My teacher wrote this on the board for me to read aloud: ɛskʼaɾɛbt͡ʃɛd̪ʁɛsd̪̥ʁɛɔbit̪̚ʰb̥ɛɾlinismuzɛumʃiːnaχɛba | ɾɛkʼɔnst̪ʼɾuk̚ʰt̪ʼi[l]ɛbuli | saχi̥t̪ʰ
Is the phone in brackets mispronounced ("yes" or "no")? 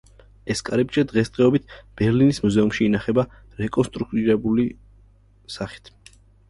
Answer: yes